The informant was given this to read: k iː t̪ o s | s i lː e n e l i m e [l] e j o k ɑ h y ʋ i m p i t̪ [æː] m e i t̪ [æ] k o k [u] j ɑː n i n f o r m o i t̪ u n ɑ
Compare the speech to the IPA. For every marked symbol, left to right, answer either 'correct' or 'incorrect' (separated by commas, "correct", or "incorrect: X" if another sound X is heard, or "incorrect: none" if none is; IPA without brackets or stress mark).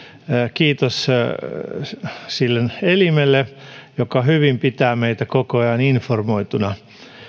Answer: incorrect: lː, correct, correct, incorrect: o